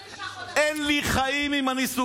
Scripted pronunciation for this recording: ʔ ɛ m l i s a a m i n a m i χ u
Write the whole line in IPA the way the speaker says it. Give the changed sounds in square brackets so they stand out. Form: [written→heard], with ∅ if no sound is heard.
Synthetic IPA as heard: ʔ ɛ [m→n] l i [s→χ] a [a→i] m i [n→m] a [m→n] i [χ→s] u